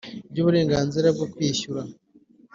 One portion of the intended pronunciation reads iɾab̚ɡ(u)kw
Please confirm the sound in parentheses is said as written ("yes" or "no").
no